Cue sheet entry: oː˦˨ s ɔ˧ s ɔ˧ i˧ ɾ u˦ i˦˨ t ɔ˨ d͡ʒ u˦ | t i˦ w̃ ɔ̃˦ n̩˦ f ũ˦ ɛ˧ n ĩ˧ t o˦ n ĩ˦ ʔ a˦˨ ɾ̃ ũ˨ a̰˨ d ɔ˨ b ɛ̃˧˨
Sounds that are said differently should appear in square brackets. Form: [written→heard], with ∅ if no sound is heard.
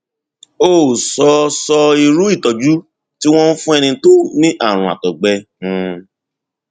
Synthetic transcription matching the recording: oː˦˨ s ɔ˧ s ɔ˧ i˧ ɾ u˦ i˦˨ t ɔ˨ d͡ʒ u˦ | t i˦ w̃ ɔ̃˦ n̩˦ f ũ˦ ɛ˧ n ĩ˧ t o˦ n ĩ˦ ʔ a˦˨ ɾ̃ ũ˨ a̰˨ [d→t] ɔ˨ [b→ɡ͡b] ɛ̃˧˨